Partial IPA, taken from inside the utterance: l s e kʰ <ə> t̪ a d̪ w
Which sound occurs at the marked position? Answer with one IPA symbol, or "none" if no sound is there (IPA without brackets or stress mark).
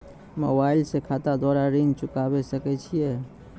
a